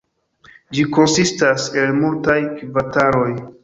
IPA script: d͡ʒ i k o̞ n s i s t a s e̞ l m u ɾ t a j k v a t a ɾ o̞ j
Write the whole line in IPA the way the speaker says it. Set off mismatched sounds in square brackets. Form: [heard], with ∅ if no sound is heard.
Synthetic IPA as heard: d͡ʒ i k o̞ n s i s t a s e̞ l m u [l] t a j k v a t a ɾ o̞ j